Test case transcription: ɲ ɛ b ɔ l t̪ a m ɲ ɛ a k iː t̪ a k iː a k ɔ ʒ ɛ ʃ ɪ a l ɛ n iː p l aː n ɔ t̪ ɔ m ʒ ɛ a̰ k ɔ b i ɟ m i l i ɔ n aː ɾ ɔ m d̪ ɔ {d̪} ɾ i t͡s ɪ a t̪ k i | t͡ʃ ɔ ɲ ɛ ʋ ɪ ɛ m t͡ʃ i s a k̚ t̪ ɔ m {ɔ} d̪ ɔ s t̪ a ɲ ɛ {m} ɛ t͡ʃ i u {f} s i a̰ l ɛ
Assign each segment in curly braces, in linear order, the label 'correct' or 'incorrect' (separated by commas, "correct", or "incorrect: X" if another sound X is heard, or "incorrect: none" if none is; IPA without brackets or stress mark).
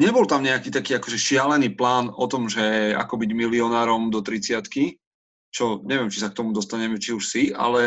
incorrect: t̪, incorrect: u, correct, incorrect: ʃ